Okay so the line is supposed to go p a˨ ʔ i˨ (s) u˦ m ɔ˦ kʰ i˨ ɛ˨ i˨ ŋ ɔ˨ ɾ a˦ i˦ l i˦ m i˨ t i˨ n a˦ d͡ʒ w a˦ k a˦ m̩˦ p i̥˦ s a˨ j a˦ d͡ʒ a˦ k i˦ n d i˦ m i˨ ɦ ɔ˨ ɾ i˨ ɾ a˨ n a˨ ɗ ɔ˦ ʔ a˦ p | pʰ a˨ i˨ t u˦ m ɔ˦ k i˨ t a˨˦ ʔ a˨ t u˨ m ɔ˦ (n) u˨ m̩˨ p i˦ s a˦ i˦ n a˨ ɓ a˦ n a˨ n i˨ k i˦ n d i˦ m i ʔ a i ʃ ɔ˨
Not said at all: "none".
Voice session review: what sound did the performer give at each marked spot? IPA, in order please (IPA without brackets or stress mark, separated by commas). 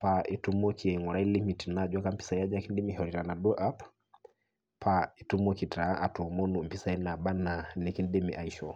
t, n